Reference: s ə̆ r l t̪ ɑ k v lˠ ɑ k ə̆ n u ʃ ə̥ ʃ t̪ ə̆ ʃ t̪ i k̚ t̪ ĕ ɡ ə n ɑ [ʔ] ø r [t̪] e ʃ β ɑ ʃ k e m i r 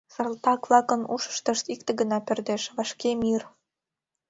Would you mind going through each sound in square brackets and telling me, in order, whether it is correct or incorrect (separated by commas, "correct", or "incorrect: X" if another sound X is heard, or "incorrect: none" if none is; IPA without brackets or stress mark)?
incorrect: p, incorrect: d̪